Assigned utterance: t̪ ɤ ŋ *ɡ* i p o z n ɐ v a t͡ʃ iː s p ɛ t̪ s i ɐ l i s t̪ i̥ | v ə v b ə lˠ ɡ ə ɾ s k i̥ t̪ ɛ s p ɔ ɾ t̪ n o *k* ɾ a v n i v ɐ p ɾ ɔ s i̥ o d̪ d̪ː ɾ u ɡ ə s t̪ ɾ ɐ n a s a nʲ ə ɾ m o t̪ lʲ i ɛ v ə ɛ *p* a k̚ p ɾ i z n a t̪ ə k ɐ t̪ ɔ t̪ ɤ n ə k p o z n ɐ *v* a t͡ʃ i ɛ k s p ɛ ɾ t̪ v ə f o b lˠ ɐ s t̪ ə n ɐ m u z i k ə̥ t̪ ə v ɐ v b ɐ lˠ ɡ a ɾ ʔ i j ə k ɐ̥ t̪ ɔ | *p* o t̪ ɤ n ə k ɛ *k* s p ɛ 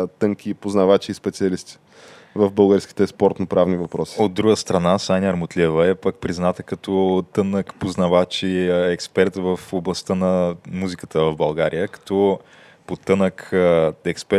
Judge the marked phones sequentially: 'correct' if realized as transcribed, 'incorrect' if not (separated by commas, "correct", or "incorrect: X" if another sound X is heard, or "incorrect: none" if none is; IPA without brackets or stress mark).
incorrect: k, incorrect: p, correct, correct, correct, correct